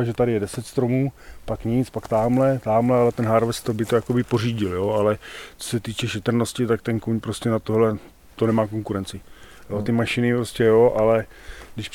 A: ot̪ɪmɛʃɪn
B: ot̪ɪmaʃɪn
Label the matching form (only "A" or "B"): B